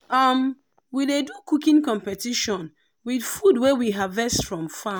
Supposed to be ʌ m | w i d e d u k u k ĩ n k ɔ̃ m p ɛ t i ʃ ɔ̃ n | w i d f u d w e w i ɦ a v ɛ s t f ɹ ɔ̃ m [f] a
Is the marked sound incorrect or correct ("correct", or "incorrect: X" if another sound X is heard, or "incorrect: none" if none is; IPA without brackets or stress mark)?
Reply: correct